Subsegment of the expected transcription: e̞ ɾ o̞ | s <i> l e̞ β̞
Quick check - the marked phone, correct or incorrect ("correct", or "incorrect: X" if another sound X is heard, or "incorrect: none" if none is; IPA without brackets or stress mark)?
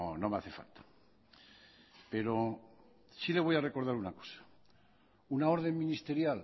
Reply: correct